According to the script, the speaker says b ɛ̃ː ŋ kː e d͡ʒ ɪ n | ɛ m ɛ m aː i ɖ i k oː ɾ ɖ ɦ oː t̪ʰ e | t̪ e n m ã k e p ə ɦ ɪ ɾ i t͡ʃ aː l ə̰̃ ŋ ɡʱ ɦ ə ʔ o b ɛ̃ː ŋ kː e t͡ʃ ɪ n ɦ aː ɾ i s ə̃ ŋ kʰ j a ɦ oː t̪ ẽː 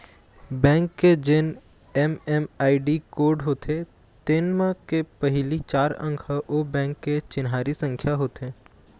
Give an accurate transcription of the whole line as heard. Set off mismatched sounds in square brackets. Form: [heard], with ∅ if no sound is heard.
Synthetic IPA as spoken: b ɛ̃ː ŋ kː e d͡ʒ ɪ n | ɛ m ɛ m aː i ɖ i k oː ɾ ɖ ɦ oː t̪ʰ e | t̪ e n m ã k e p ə ɦ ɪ [l] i t͡ʃ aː [ɾ] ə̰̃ ŋ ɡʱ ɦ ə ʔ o b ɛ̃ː ŋ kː e t͡ʃ ɪ n ɦ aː ɾ i s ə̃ ŋ kʰ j a ɦ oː t̪ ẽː